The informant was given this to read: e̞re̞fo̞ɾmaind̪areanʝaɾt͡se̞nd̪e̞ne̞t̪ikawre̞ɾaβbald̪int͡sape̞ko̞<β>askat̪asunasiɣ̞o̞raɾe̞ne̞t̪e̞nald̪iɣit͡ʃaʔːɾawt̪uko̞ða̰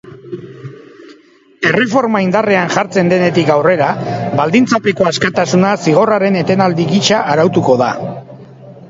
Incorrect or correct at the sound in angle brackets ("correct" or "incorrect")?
incorrect